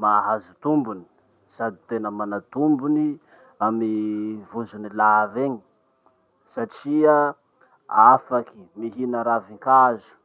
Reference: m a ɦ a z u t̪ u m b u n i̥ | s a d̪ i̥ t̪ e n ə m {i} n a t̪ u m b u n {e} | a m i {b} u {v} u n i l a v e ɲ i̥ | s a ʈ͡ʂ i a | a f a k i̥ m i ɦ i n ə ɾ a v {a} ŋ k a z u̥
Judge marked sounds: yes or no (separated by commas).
no, no, no, no, no